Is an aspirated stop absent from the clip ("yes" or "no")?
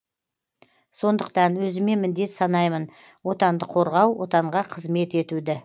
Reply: no